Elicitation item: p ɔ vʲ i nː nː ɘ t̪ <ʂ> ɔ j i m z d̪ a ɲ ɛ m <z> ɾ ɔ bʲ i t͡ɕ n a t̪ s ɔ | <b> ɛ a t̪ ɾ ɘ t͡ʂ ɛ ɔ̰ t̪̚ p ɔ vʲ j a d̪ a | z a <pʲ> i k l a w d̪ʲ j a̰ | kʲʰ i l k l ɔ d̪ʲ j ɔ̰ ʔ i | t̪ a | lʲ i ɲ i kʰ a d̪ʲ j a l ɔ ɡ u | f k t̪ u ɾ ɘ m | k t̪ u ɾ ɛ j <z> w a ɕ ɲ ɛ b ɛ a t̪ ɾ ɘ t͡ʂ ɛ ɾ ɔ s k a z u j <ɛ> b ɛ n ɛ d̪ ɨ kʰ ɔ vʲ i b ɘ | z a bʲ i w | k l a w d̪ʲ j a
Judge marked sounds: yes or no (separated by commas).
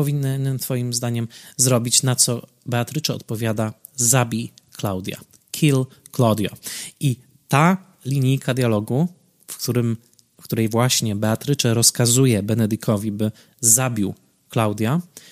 no, yes, yes, no, no, yes